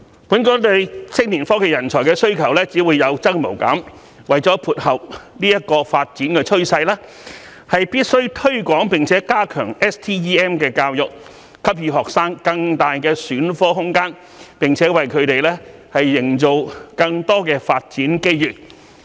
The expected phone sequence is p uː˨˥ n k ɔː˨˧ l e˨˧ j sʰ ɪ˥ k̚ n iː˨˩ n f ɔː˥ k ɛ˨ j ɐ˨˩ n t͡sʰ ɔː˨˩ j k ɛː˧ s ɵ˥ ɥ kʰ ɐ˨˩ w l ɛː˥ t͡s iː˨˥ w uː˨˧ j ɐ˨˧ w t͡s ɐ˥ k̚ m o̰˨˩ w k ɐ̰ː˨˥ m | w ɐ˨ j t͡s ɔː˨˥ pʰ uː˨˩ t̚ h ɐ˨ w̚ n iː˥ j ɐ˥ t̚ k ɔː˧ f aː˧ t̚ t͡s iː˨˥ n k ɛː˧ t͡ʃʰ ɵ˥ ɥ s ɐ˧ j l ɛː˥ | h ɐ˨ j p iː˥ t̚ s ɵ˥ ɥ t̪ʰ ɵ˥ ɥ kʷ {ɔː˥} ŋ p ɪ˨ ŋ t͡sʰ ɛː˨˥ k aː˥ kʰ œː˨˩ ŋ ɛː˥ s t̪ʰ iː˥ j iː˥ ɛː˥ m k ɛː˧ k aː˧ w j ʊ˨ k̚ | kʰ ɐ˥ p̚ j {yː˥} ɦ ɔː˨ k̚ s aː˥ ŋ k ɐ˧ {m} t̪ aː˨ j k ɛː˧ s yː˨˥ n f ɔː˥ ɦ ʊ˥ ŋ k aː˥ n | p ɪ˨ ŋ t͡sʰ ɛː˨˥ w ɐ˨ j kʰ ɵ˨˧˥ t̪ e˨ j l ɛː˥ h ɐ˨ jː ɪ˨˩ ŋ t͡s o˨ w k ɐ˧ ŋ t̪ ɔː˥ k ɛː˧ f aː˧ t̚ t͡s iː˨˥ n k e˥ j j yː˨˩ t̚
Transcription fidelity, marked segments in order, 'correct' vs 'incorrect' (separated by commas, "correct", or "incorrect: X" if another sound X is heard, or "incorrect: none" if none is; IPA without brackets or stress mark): incorrect: ɔː˨˥, incorrect: yː˧, incorrect: ŋ